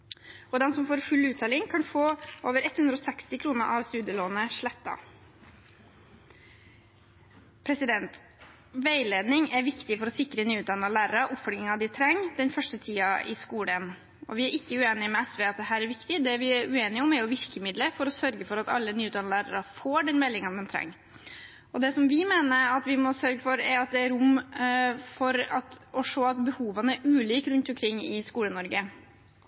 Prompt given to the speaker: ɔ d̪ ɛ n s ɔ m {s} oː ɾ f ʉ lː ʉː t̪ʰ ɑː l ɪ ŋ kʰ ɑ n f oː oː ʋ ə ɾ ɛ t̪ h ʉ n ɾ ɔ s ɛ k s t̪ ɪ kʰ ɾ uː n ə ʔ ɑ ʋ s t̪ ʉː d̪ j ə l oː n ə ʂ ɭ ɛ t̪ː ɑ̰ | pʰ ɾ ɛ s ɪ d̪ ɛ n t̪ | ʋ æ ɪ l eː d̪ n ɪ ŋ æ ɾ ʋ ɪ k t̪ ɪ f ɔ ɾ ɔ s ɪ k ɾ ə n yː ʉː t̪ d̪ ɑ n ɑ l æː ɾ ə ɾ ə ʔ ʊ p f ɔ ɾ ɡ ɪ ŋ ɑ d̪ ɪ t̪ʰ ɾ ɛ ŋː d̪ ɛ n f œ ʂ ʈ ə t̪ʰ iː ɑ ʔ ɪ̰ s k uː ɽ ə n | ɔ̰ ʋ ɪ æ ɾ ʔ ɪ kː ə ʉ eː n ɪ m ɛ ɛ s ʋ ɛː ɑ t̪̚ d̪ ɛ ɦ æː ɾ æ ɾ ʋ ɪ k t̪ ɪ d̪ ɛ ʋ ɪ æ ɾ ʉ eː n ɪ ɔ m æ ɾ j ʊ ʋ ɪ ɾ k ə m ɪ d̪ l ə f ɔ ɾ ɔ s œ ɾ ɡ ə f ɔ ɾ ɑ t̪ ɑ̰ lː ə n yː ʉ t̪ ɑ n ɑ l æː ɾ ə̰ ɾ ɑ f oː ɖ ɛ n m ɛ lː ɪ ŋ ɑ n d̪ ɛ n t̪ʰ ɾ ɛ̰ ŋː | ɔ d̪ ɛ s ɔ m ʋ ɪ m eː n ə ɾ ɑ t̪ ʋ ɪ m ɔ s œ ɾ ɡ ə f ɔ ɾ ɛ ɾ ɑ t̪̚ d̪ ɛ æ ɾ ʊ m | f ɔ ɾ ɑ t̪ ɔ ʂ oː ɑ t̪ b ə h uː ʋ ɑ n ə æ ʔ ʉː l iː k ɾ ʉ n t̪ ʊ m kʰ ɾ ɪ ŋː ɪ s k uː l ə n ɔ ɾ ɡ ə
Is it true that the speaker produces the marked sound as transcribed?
no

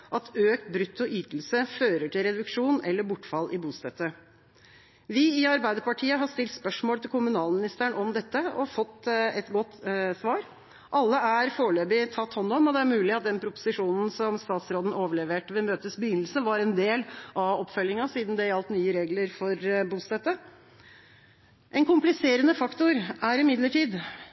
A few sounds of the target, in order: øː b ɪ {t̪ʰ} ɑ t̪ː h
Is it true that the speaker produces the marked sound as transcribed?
yes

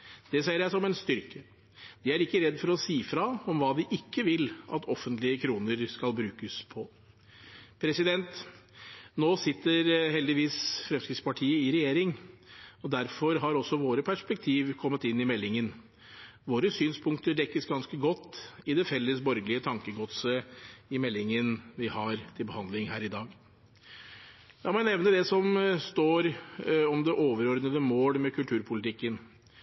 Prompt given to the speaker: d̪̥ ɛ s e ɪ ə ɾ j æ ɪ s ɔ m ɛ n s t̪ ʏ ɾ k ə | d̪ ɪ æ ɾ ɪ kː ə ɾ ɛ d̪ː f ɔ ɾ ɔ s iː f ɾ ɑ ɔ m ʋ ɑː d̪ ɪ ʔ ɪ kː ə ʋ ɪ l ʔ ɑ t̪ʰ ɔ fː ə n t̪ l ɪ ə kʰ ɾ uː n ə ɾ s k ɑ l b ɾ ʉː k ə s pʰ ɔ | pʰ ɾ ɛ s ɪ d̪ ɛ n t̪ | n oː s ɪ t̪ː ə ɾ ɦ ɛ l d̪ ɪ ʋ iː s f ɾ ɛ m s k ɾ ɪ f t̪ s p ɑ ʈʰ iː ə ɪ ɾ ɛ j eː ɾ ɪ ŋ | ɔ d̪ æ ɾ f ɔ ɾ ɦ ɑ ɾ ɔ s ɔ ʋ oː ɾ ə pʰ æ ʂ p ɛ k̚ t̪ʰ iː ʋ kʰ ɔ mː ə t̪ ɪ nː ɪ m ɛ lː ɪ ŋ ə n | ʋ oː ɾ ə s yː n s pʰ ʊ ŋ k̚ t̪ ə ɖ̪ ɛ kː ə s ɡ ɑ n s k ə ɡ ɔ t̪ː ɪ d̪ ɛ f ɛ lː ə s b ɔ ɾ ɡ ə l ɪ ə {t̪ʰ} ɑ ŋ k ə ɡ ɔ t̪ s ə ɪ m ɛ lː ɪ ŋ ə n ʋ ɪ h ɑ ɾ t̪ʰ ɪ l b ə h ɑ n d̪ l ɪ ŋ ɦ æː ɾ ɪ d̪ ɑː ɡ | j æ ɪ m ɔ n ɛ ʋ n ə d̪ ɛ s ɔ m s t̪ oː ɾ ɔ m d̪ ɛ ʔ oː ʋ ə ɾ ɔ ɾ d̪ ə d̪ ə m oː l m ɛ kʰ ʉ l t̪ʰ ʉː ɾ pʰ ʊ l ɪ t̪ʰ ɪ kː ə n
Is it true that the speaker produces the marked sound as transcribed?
yes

